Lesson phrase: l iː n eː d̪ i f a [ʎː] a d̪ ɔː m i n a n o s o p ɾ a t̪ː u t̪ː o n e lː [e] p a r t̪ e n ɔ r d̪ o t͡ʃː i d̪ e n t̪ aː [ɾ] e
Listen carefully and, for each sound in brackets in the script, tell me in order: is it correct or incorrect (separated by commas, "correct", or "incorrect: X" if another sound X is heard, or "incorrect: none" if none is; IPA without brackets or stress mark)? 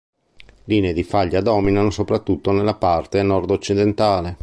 correct, incorrect: a, incorrect: l